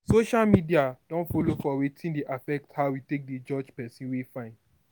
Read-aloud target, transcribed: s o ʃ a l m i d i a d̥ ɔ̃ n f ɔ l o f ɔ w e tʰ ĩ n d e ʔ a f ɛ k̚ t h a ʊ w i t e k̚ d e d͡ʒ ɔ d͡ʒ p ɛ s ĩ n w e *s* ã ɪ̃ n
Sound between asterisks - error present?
yes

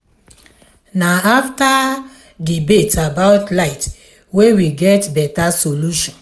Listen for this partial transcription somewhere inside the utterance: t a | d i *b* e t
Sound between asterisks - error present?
no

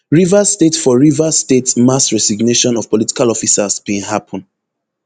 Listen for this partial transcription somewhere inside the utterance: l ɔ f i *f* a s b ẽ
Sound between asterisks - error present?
yes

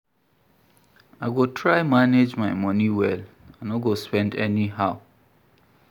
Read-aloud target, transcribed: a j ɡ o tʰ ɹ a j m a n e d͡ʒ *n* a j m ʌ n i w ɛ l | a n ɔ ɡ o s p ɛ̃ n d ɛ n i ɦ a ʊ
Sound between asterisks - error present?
yes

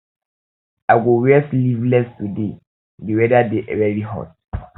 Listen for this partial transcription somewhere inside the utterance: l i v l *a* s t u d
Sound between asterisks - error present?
yes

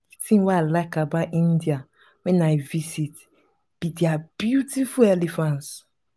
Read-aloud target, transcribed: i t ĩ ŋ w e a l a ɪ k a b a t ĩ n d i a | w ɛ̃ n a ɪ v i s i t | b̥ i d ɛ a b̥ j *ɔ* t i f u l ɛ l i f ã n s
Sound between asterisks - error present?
yes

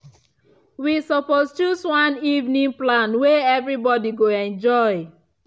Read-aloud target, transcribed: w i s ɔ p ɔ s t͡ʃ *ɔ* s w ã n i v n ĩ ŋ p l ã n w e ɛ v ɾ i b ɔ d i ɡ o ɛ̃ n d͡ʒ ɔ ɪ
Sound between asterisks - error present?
yes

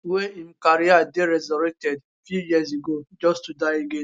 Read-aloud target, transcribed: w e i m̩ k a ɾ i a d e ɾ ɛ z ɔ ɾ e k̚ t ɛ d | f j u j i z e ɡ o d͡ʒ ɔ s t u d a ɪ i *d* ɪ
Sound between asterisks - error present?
yes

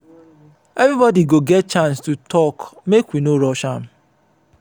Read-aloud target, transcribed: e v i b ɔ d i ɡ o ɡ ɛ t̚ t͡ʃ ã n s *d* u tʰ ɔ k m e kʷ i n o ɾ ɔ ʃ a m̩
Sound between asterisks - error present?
yes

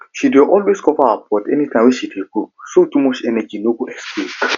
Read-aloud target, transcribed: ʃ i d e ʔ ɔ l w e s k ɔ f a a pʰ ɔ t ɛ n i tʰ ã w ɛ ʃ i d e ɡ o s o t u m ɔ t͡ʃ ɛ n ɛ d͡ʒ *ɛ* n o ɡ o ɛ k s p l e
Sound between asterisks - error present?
yes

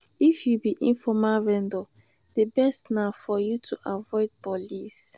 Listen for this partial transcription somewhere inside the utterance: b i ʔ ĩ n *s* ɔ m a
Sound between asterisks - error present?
yes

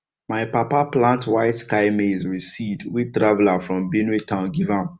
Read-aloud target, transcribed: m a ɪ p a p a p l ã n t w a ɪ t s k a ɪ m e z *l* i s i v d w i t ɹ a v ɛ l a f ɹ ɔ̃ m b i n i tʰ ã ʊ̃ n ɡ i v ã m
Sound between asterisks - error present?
yes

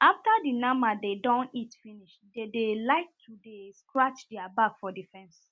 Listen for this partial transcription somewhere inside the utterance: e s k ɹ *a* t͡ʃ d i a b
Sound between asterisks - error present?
no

